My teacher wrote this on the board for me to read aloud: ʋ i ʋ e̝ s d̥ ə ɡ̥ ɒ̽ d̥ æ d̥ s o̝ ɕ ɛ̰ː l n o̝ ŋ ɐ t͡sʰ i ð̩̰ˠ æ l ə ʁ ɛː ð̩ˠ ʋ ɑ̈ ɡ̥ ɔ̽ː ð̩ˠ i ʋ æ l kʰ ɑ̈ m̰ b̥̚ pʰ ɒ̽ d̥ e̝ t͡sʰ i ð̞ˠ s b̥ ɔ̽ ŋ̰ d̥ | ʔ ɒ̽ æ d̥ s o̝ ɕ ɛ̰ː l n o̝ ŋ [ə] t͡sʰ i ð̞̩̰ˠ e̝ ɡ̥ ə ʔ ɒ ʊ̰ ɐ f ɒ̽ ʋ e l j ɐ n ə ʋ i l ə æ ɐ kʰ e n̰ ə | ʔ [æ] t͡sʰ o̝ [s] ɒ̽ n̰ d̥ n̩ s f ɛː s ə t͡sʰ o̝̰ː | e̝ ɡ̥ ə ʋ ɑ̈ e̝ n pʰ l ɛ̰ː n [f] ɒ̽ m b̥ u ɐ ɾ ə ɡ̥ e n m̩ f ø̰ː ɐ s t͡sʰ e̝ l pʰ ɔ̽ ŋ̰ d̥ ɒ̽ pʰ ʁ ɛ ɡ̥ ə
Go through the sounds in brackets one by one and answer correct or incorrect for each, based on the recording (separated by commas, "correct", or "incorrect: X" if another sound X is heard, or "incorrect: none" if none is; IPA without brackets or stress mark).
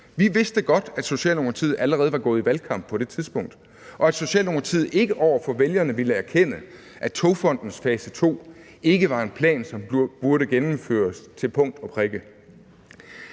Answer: incorrect: ɐ, correct, incorrect: f, incorrect: s